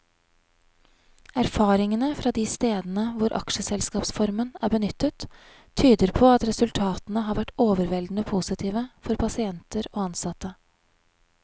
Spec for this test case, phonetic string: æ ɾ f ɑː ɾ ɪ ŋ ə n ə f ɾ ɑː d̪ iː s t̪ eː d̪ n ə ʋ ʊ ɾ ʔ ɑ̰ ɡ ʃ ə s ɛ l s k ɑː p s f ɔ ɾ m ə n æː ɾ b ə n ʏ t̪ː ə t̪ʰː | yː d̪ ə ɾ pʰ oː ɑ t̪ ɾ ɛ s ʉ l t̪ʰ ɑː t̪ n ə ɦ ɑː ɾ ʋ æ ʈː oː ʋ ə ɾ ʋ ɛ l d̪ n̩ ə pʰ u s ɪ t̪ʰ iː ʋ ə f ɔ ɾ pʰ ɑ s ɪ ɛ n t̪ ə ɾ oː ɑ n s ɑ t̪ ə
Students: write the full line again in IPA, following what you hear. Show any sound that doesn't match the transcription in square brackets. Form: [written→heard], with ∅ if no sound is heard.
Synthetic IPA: æ ɾ f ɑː ɾ ɪ ŋ ə n ə f ɾ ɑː d̪ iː s t̪ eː d̪ n ə ʋ ʊ ɾ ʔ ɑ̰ [ɡ→k] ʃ ə s ɛ l s k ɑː p s f ɔ ɾ m ə n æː ɾ b ə n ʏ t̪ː ə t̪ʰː | yː d̪ ə ɾ pʰ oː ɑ t̪ ɾ ɛ s ʉ l t̪ʰ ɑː t̪ n ə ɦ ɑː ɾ ʋ æ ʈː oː ʋ ə ɾ ʋ ɛ l d̪ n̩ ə pʰ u s ɪ t̪ʰ iː ʋ ə f ɔ ɾ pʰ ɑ s ɪ ɛ n t̪ ə ɾ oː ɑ n s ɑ t̪ ə